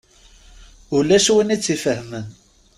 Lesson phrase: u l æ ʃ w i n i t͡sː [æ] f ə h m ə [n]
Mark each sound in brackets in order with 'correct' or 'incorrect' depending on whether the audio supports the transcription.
incorrect: i, correct

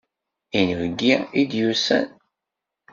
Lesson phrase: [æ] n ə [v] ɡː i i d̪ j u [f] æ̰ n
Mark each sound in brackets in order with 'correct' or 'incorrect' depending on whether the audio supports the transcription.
incorrect: i, correct, incorrect: s

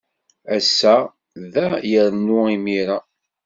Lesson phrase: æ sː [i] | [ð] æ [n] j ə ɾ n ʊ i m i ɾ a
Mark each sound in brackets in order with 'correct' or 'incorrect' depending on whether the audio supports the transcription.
incorrect: æ, correct, incorrect: none

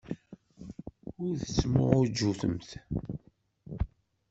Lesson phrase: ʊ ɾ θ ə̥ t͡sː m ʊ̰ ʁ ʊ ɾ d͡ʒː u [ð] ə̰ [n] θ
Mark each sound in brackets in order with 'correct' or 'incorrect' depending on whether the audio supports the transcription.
incorrect: θ, incorrect: m

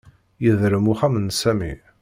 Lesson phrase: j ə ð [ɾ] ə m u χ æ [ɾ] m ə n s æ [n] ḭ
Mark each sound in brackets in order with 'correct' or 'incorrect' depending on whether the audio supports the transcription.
correct, incorrect: none, incorrect: m

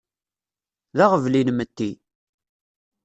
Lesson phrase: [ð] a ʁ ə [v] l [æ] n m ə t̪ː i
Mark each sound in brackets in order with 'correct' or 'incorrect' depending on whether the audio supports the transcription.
correct, correct, incorrect: i

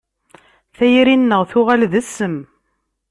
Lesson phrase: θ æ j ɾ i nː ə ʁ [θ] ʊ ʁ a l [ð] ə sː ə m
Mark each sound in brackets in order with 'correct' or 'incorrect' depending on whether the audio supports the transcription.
correct, correct

